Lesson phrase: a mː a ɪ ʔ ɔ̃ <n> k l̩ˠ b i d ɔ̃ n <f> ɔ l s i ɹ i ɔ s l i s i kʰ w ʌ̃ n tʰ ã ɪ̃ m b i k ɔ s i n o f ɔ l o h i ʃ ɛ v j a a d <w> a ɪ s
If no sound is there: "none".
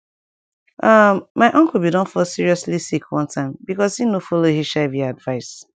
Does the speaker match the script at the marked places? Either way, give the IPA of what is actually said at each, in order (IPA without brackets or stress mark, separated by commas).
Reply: ŋ, f, v